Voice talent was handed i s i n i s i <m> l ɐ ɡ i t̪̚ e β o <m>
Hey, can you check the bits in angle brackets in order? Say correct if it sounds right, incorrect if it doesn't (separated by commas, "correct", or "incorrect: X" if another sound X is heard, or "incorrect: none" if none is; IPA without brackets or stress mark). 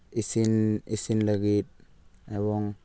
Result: incorrect: n, incorrect: ŋ